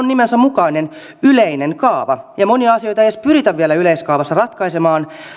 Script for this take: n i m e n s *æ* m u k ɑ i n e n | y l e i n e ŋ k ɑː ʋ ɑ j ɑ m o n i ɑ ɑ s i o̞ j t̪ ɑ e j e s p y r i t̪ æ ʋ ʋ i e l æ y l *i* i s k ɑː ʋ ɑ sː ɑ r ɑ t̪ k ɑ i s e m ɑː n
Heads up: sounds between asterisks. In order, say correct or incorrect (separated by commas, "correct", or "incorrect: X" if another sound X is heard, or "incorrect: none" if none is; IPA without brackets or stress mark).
correct, incorrect: e